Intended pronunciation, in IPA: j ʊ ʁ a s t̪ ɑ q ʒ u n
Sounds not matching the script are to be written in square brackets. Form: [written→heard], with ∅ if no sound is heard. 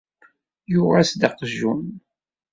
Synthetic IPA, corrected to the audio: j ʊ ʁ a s [t̪→d̪] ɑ q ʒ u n